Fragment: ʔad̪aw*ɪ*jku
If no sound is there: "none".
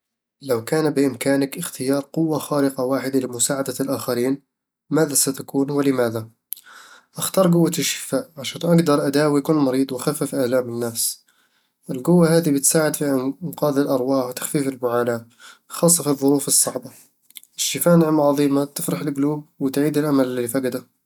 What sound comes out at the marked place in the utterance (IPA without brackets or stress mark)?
i